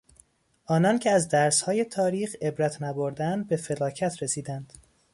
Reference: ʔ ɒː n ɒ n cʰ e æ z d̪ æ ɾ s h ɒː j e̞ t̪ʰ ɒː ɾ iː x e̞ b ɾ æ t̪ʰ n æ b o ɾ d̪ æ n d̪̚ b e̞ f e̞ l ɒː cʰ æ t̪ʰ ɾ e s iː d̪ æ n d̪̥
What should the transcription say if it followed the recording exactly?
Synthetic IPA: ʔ ɒː n ɒ n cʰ e æ z d̪ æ ɾ s h ɒː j e̞ t̪ʰ ɒː ɾ iː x e̞ b ɾ æ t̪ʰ n æ b o ɾ d̪ æ n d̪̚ b e̞ f e̞ l ɒː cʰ æ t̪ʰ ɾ e s iː d̪ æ n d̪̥